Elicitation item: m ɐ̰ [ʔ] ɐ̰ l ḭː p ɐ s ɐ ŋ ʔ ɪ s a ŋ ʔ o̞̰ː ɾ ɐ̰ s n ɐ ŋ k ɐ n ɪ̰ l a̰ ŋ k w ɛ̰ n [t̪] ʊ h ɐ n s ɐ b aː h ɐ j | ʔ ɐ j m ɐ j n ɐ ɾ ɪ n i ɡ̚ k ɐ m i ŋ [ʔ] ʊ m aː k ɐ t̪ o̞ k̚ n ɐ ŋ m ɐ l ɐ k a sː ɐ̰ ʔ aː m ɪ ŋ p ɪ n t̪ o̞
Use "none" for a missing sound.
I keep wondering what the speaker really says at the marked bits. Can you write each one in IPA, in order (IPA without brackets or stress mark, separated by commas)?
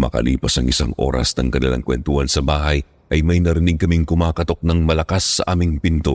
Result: k, t̪, k